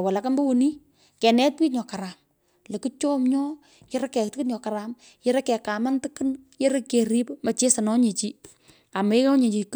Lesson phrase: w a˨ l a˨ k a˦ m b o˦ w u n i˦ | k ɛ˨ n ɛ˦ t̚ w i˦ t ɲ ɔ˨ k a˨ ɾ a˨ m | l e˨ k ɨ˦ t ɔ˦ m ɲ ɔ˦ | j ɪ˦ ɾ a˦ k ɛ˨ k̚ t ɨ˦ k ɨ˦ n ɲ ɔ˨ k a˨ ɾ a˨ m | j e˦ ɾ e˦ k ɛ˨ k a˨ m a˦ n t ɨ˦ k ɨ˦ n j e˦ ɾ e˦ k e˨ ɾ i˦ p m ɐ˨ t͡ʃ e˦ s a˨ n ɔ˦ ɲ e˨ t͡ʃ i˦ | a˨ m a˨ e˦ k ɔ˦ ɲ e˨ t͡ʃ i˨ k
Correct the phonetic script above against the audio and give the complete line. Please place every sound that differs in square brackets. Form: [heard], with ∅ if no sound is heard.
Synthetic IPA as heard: w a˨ l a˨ k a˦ m b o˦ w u n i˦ | k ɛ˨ n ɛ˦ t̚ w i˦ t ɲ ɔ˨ k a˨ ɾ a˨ m | l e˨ k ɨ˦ [t͡ʃ] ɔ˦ m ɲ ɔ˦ | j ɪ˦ ɾ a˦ k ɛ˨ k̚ t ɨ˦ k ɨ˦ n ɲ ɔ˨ k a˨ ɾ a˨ m | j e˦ ɾ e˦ k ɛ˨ k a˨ m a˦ n t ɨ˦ k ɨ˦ n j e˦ ɾ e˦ k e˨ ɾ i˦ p m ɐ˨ t͡ʃ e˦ s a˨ n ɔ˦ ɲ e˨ t͡ʃ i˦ | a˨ m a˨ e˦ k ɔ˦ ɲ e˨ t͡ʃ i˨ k

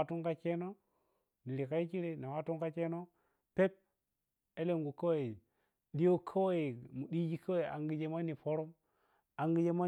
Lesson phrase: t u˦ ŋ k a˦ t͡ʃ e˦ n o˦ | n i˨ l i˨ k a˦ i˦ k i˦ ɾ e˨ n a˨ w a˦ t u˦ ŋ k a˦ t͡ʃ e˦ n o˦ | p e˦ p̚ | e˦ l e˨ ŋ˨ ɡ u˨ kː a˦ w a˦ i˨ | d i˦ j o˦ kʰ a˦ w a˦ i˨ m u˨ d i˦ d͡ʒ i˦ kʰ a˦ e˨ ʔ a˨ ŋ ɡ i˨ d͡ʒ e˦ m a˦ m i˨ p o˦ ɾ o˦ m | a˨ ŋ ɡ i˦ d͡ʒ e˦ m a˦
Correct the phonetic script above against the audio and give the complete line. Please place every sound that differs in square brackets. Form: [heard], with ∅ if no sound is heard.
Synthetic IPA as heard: t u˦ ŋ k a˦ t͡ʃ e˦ n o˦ | n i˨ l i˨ k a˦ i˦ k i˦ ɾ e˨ n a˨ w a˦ t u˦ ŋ k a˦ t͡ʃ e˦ n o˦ | p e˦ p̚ | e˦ l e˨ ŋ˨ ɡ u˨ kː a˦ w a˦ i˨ | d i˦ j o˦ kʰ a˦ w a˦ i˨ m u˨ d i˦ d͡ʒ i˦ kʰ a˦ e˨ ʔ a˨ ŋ ɡ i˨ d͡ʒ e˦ m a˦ [n] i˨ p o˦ ɾ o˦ m | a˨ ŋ ɡ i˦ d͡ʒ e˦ m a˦

